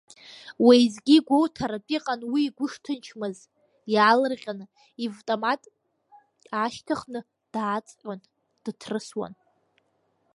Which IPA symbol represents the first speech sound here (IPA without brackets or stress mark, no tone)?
w